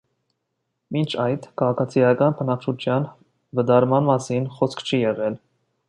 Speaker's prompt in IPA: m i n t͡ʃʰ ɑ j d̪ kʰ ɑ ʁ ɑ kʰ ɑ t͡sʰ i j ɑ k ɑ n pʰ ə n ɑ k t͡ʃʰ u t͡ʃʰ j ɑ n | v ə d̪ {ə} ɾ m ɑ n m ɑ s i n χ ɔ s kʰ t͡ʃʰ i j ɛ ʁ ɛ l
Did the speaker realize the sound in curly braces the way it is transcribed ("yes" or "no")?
no